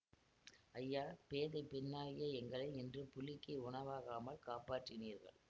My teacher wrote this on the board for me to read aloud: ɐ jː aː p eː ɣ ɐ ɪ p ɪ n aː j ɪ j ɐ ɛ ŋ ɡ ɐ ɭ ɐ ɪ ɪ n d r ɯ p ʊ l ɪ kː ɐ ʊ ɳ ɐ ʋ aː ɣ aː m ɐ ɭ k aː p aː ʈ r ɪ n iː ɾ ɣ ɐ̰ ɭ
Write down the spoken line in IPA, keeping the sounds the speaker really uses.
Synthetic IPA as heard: ɐ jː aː p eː ð ɐ ɪ p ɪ nː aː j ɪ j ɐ ɛ ŋ ɡ ɐ ɭ ɐ ɪ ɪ n d r ɯ p ʊ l ɪ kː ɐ ʊ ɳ ɐ ʋ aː ɣ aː m ɐ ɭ k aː p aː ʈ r ɪ n iː ɾ ɣ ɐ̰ ɭ